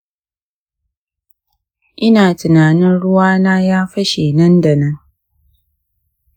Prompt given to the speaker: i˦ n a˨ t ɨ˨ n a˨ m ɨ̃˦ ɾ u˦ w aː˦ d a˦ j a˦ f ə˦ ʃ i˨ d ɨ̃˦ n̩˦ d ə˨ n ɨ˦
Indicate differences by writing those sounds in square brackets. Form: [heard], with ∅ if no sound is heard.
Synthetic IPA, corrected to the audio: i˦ n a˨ t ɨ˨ n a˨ [n] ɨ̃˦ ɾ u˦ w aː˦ [n] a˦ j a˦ f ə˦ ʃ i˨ [n] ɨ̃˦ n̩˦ d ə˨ n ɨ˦